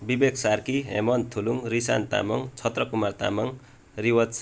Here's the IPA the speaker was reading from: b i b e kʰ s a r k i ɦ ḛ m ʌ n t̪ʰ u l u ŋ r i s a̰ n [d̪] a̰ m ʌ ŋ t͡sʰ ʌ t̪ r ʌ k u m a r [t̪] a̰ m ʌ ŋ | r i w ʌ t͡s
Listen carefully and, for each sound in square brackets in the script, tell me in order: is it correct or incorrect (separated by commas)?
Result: incorrect, correct